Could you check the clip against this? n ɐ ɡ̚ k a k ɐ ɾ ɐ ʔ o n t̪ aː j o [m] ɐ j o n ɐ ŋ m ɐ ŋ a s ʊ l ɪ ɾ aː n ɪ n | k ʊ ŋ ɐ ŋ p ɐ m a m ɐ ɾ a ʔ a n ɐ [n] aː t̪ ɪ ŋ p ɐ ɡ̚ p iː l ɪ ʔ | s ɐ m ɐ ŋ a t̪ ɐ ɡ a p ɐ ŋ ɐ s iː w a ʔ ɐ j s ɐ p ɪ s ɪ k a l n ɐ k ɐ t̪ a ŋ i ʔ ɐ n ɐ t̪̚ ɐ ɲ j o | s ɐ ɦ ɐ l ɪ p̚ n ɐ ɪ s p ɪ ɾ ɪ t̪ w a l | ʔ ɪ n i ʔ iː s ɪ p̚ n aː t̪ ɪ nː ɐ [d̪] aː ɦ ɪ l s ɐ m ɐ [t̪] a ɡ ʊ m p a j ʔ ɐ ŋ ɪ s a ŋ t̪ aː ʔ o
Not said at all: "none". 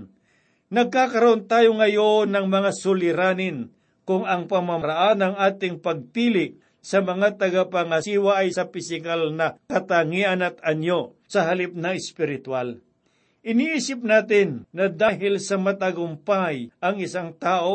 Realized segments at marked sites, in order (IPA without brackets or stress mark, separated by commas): ŋ, ŋ, d̪, t̪